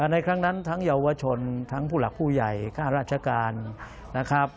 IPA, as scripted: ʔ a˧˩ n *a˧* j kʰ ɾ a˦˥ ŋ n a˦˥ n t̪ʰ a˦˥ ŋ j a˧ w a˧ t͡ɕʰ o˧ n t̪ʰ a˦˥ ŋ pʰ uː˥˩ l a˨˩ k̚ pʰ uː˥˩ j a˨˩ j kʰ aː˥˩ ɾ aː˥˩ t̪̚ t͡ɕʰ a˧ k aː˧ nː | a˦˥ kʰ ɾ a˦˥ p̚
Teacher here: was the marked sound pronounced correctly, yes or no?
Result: yes